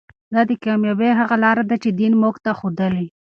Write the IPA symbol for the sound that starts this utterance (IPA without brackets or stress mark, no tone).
d̪